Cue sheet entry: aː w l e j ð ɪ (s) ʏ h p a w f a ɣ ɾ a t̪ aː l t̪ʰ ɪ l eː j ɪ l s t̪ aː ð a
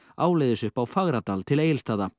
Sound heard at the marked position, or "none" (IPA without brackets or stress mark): s